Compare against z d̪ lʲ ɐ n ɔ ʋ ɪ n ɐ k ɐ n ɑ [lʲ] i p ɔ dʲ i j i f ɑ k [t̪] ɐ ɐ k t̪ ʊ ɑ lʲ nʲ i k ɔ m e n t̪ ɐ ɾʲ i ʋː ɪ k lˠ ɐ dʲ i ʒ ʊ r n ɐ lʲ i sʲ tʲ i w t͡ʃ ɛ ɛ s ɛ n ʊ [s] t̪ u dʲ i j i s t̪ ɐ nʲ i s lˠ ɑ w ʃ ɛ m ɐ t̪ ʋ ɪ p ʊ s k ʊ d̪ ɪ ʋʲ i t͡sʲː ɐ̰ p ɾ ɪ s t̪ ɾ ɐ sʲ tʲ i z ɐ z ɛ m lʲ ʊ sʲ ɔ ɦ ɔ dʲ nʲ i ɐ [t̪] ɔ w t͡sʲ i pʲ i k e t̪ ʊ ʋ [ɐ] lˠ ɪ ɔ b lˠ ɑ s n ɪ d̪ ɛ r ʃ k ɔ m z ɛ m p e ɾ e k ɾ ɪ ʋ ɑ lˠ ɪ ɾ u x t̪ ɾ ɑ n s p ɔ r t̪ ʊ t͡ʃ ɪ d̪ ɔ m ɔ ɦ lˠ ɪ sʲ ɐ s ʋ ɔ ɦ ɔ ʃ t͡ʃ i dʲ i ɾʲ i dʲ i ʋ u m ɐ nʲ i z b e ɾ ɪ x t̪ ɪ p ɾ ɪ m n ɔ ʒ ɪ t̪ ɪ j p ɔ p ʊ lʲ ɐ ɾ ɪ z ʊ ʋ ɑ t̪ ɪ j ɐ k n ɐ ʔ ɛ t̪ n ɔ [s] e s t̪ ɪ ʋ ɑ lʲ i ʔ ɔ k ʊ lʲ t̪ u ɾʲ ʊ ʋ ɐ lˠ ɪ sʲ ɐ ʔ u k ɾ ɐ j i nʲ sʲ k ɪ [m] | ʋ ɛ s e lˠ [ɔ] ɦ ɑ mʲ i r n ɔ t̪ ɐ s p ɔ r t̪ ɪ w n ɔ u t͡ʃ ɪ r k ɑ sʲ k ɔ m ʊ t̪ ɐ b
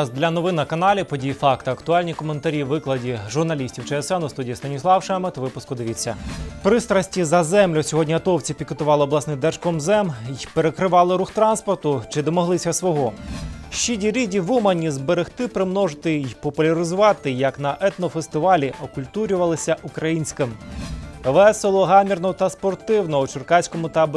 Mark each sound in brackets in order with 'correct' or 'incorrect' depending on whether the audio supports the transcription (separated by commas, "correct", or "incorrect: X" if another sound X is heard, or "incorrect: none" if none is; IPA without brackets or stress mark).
correct, correct, correct, correct, incorrect: ɑ, incorrect: f, correct, correct